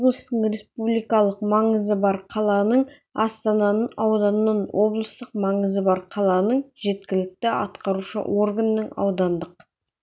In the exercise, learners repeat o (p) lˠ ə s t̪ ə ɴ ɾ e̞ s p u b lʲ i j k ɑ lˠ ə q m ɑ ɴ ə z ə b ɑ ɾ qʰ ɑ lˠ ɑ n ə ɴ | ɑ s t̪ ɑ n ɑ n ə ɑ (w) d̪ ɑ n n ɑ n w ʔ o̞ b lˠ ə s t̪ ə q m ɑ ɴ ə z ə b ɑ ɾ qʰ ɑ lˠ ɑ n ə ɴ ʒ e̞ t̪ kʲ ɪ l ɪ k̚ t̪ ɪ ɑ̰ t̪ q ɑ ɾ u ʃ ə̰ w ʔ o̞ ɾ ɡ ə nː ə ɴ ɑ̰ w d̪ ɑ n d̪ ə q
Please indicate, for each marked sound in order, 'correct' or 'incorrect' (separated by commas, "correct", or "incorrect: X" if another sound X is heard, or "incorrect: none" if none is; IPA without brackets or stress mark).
incorrect: b, correct